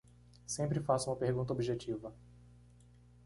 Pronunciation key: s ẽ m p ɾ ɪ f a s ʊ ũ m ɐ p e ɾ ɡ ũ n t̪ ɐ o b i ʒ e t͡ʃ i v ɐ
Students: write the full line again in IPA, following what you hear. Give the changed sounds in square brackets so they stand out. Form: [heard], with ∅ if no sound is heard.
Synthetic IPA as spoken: s ẽ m p ɾ ɪ f a s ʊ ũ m ɐ p e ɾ ɡ ũ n t̪ ɐ o b i ʒ e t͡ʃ i v ɐ